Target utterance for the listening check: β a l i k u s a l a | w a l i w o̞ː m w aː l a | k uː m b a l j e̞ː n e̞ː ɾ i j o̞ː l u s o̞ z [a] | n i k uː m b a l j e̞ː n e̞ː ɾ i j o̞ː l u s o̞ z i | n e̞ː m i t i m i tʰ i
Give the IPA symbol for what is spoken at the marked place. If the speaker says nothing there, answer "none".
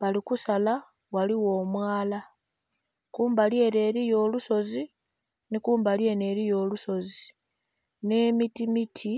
i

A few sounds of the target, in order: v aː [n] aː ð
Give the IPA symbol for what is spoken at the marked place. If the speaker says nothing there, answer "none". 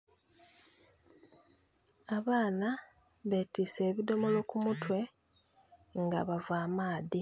m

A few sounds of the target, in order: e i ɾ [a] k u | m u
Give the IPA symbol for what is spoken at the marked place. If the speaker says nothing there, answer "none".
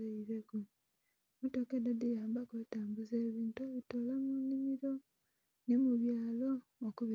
e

